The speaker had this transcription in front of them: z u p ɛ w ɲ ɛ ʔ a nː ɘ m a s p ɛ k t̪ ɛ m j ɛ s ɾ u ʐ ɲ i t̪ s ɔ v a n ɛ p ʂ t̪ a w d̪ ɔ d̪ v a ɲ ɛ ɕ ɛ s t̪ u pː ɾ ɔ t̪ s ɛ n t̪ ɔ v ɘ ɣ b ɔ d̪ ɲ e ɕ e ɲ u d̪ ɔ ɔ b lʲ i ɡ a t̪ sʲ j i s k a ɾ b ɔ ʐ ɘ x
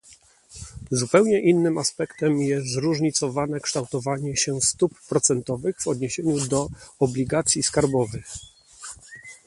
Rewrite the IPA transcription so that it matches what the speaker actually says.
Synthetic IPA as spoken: z u p ɛ w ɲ ɛ ʔ i nː ɘ m a s p ɛ k t̪ ɛ m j ɛ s ɾ u ʐ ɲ i t̪ s ɔ v a n ɛ k ʂ t̪ a w t̪ ɔ v a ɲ ɛ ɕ ɛ s t̪ u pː ɾ ɔ t̪ s ɛ n t̪ ɔ v ɘ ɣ v ɔ d̪ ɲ e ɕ e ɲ u d̪ ɔ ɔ b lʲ i ɡ a t̪ sʲ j i s k a ɾ b ɔ v ɘ x

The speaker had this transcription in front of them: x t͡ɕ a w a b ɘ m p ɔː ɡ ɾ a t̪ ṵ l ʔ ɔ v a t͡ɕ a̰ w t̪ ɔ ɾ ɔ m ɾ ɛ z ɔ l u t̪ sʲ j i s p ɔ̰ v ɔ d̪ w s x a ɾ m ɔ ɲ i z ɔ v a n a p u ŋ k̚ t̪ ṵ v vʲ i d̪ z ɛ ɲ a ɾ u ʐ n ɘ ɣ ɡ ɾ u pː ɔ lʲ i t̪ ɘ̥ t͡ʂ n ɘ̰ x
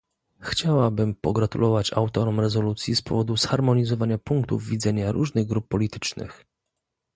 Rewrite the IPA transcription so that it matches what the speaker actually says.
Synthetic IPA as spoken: x t͡ɕ a w a b ɘ m p ɔ ɡ ɾ a t̪ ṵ l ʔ ɔ v a t͡ɕ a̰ w t̪ ɔ ɾ ɔ m ɾ ɛ z ɔ l u t̪ sʲ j i s p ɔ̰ v ɔ d̪ u s x a ɾ m ɔ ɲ i z ɔ v a ɲ a p u ŋ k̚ t̪ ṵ v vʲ i d̪ z ɛ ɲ a ɾ u ʐ n ɘ ɣ ɡ ɾ u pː ɔ lʲ i t̪ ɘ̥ t͡ʂ n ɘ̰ x

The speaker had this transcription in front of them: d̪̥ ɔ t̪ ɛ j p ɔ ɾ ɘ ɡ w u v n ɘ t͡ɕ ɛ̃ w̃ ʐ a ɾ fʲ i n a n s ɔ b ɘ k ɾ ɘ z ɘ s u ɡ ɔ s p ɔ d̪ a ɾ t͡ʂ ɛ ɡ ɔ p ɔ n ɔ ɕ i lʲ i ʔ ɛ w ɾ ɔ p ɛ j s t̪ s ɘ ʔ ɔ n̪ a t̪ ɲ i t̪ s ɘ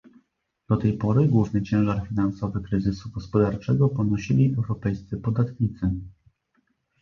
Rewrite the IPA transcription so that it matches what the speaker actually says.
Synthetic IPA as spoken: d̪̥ ɔ t̪ ɛ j p ɔ ɾ ɘ ɡ w u v n ɘ t͡ɕ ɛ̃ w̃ ʐ a ɾ fʲ i n a n s ɔ v ɘ k ɾ ɘ z ɘ s u ɡ ɔ s p ɔ d̪ a ɾ t͡ʂ ɛ ɡ ɔ p ɔ n ɔ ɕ i lʲ i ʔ ɛ w ɾ ɔ p ɛ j s t̪ s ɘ p ɔ d̪ a t̪ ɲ i t̪ s ɘ

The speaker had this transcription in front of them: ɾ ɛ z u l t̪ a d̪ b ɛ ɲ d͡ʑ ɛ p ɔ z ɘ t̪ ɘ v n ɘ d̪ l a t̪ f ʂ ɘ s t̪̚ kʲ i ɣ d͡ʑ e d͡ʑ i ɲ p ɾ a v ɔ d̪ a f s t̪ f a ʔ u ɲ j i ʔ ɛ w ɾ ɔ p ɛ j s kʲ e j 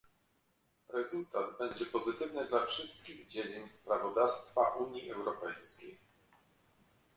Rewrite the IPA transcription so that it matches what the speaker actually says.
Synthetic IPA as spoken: ɾ ɛ z u l t̪ a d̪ b ɛ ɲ d͡ʑ ɛ p ɔ z ɘ t̪ ɘ v n ɘ d̪ l a f ʂ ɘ s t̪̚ kʲ i ɣ d͡ʑ e d͡ʑ i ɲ p ɾ a v ɔ d̪ a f s t̪ f a ʔ u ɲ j i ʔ ɛ w ɾ ɔ p ɛ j s kʲ e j

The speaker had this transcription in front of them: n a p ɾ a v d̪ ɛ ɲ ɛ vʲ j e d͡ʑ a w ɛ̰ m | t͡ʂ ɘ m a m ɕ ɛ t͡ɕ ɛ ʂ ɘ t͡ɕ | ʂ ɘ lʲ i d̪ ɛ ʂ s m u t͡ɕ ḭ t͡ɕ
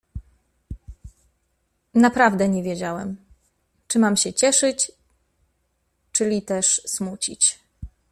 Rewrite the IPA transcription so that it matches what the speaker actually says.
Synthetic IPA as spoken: n a p ɾ a v d̪ ɛ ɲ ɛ vʲ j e d͡ʑ a w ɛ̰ m | t͡ʂ ɘ m a m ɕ ɛ t͡ɕ ɛ ʂ ɘ t͡ɕ | t͡ʂ ɘ lʲ i t̪ ɛ ʂ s m u t͡ɕ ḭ t͡ɕ

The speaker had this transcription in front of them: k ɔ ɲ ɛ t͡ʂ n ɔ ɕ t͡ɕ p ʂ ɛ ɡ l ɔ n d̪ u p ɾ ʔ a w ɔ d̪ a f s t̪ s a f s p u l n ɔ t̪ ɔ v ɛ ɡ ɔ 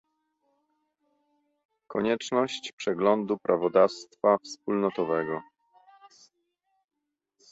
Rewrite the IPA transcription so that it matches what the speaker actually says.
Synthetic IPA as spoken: k ɔ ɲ ɛ t͡ʂ n ɔ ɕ t͡ɕ p ʂ ɛ ɡ l ɔ n d̪ u p ɾ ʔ a v ɔ d̪ a f s t̪ f a f s p u l n ɔ t̪ ɔ v ɛ ɡ ɔ

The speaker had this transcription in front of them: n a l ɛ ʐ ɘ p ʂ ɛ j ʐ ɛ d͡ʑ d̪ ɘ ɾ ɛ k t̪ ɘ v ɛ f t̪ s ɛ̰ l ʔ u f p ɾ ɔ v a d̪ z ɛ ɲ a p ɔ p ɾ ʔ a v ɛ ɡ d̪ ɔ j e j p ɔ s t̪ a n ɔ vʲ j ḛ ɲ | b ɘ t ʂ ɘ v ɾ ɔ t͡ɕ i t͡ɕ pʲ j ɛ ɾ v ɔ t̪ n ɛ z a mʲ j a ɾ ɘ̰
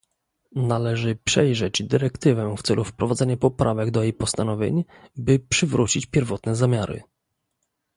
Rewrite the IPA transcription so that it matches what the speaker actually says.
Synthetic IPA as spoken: n a l ɛ ʐ ɘ p ʂ ɛ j ʐ ɛ d͡ʑ d̪ ɘ ɾ ɛ k t̪ ɘ v ɛ f t̪ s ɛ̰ l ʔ u f p ɾ ɔ v a d̪ z ɛ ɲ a p ɔ p ɾ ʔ a v ɛ ɡ d̪ ɔ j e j p ɔ s t̪ a n ɔ vʲ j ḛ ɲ | b ɘ p ʂ ɘ v ɾ u t͡ɕ i t͡ɕ pʲ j ɛ ɾ v ɔ t̪ n ɛ z a mʲ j a ɾ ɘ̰

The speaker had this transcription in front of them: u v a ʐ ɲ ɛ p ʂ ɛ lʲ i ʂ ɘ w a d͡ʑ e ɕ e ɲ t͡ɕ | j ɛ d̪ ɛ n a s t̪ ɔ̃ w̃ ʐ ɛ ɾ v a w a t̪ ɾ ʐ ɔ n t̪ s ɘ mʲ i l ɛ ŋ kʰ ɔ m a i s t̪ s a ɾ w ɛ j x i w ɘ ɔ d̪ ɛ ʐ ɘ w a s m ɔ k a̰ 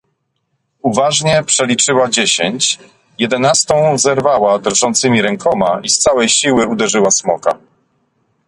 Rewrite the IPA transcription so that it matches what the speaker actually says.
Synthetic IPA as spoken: u v a ʐ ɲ ɛ p ʂ ɛ lʲ i t͡ʂ ɘ w a d͡ʑ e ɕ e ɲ t͡ɕ | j ɛ d̪ ɛ n a s t̪ ɔ̃ w̃ z ɛ ɾ v a w a d̪ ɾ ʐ ɔ n t̪ s ɘ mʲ i ɾ ɛ ŋ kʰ ɔ m a i s t̪ s a w ɛ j ɕ i w ɘ u d̪ ɛ ʐ ɘ w a s m ɔ k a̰

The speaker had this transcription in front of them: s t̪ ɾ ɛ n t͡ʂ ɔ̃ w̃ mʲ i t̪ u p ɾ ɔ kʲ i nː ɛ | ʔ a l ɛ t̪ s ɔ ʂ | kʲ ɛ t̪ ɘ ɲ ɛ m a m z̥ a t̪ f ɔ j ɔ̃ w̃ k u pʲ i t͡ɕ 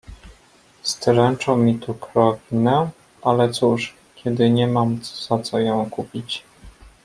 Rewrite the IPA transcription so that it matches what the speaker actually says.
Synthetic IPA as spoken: s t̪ ɾ ɛ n t͡ʂ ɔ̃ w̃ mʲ i t̪ u k ɾ ɔ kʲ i n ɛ | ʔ a l ɛ t̪ s u ʂ | kʲ ɛ d̪ ɘ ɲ ɛ m a m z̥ a t̪ s ɔ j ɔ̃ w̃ k u pʲ i t͡ɕ

